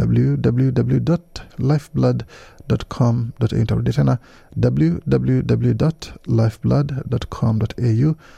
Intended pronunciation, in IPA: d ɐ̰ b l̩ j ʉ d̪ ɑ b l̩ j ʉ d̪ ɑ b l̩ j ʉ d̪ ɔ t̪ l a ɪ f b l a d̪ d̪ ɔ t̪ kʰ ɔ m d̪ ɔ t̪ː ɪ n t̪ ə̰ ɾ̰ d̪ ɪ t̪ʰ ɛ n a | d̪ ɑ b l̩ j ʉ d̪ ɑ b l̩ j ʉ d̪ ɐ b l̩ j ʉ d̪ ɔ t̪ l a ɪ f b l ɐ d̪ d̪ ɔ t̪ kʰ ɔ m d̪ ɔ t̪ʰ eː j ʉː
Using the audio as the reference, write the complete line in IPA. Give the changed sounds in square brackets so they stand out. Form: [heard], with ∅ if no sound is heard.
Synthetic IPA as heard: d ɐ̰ b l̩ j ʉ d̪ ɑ b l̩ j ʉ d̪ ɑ b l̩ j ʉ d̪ ɔ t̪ l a ɪ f b l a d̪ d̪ ɔ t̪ kʰ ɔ m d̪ ɔ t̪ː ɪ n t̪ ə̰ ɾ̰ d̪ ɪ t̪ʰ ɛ n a | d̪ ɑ b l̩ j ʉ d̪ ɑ b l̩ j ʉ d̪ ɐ b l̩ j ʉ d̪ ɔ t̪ l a ɪ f b l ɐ d̪ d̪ ɔ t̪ kʰ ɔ m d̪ ɔ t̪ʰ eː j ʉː